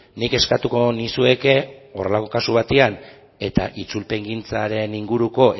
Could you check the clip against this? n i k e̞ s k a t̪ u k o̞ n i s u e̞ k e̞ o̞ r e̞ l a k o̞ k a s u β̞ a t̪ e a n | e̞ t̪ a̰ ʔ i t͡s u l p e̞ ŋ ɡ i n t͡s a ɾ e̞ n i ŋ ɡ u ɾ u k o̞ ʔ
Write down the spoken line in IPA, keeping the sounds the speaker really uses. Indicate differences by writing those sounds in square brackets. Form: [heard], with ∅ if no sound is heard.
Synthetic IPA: n i k e̞ s k a t̪ u k o̞ n i s u e̞ k e̞ o̞ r e̞ l a k o̞ k a s u β̞ a t̪ e a n | e̞ t̪ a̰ ʔ i t͡s u l p e̞ ŋ ɡ i n t͡s a ɾ e̞ n i ŋ ɡ u ɾ u k o̞ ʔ